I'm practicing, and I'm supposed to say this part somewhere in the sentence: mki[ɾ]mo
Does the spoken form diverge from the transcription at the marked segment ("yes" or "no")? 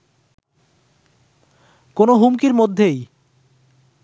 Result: no